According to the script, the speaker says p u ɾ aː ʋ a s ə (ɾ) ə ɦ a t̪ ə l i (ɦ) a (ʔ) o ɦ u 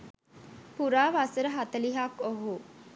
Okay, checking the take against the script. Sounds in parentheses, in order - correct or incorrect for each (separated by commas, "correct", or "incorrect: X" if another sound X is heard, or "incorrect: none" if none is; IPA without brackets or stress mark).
correct, correct, incorrect: k